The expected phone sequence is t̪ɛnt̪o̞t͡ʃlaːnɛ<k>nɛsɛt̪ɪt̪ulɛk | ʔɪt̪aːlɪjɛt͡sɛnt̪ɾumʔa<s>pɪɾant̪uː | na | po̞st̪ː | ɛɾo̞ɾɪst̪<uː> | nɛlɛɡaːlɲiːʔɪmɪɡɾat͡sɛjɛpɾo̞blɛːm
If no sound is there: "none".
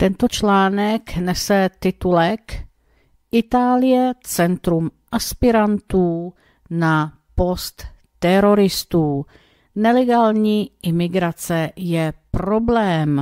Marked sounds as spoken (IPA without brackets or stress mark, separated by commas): k, s, uː